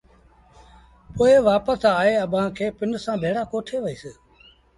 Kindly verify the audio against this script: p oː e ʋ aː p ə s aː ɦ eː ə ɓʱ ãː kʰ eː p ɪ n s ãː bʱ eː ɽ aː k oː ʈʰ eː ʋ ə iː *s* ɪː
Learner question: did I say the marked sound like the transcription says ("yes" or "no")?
yes